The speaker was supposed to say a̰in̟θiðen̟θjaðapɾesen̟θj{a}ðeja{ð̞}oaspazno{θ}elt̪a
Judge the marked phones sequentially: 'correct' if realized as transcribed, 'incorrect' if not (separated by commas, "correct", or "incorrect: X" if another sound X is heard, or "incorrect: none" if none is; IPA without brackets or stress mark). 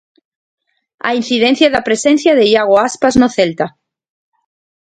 correct, incorrect: ɣ̞, correct